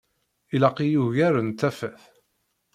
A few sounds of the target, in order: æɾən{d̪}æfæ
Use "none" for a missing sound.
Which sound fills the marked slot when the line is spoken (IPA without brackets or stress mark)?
t̪